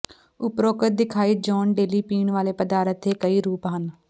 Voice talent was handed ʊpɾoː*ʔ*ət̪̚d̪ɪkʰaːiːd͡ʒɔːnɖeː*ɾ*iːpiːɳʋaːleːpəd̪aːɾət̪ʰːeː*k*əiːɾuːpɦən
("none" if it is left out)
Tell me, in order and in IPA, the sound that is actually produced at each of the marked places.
k, l, k

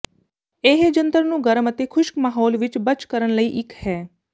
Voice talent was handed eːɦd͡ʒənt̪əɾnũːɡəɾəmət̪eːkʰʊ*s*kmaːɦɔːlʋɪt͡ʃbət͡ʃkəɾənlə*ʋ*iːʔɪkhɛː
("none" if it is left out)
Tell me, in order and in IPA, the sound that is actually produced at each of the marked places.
ʃ, none

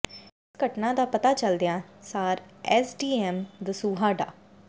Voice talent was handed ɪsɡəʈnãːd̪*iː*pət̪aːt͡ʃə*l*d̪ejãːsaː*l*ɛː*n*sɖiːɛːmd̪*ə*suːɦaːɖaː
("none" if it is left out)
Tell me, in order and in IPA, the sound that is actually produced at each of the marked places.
aː, l, ɾ, none, ə

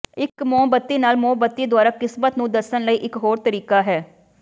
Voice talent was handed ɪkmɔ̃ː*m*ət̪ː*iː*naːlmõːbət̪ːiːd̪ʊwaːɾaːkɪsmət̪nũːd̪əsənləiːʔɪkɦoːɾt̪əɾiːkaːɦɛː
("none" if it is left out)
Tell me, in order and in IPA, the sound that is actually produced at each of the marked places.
b, iː

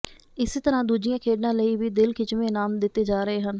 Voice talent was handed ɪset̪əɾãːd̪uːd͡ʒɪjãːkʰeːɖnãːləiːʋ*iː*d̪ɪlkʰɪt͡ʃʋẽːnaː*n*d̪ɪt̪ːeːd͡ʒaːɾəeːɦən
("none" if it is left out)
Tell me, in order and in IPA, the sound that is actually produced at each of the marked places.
iː, m

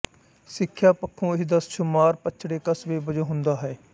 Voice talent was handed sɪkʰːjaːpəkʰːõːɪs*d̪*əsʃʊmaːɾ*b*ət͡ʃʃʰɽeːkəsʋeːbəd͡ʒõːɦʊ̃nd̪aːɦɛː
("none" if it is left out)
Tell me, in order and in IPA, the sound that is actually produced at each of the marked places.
d̪, p

